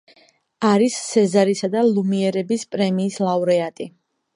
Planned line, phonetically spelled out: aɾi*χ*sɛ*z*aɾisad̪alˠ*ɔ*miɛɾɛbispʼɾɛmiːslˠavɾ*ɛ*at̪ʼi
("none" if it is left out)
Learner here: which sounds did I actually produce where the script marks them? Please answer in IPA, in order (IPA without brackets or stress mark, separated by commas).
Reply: s, z, u, ɛ